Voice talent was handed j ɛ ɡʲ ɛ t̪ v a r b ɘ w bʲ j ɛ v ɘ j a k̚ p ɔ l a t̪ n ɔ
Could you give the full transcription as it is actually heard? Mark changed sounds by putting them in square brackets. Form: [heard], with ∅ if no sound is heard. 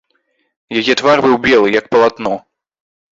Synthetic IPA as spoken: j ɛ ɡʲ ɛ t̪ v a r b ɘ w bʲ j ɛ [w] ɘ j a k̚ p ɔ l a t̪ n ɔ